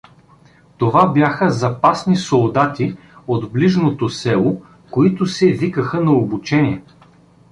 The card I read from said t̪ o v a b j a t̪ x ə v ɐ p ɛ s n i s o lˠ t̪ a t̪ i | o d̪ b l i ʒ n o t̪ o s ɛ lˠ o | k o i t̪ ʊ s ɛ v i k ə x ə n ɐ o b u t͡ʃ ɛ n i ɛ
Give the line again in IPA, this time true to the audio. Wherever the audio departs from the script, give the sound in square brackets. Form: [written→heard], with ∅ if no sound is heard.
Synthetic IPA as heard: t̪ o v a b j a [t̪→∅] x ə [v→z] ɐ p [ɛ→a] s n i s o lˠ [t̪→d̪] a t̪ i | o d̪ b l i ʒ n o t̪ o s ɛ lˠ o | k o i t̪ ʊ s ɛ v i k ə x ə n ɐ o b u t͡ʃ ɛ n i ɛ